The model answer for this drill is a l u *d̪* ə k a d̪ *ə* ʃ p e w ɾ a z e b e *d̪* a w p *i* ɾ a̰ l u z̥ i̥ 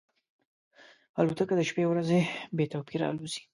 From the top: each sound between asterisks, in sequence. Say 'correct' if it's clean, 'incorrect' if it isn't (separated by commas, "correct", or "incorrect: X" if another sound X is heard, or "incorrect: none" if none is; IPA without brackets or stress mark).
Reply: incorrect: t̪, correct, incorrect: t̪, correct